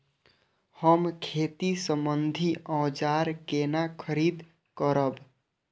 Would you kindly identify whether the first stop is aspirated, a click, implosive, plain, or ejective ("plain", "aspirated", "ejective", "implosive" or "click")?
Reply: aspirated